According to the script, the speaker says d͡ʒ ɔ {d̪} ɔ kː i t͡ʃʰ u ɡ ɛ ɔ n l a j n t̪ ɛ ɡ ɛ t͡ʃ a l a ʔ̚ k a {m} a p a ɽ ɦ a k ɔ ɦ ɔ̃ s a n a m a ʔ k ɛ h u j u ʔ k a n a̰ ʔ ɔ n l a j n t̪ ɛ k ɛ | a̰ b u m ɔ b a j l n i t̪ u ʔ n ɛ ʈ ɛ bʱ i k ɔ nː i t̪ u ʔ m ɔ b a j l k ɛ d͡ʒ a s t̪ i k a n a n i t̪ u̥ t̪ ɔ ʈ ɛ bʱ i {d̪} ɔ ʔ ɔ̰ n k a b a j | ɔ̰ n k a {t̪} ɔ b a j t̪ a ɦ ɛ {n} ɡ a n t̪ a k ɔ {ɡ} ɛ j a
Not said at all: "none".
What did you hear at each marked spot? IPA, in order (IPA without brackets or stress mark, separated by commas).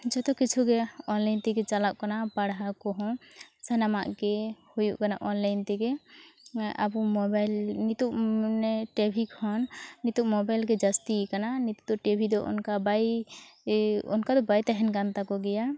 t̪, n, d̪, d̪, n, ɡ